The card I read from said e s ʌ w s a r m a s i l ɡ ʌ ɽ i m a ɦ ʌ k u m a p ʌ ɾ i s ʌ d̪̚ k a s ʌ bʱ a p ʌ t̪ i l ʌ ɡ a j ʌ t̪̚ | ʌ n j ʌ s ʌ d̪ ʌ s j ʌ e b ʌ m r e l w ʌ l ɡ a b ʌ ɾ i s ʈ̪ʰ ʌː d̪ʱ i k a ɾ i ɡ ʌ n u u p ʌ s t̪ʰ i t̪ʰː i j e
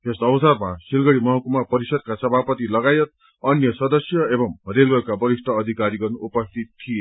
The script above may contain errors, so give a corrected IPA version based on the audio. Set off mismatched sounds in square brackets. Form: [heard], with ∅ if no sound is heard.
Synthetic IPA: e s ʌ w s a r m a s i l ɡ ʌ ɽ i m [ʌ] ɦ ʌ k u m a p ʌ ɾ i s ʌ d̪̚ k a s ʌ bʱ a p ʌ t̪ i l ʌ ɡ a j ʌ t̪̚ | ʌ n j ʌ s ʌ d̪ ʌ s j ʌ e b ʌ m r e l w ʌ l [k] a b ʌ ɾ i s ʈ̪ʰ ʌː d̪ʱ i k a ɾ i ɡ ʌ n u u p ʌ s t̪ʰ i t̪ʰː i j e